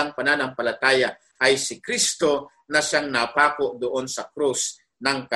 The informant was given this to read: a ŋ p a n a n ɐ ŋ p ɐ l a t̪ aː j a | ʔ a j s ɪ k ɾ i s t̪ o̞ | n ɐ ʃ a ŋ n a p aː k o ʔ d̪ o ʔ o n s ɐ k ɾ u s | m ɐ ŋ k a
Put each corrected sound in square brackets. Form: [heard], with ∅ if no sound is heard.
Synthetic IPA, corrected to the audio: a ŋ p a n a n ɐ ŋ p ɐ l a t̪ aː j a | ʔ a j s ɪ k ɾ i s t̪ o̞ | n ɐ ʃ a ŋ n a p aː k o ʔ d̪ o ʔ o n s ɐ k ɾ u s | [n] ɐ ŋ k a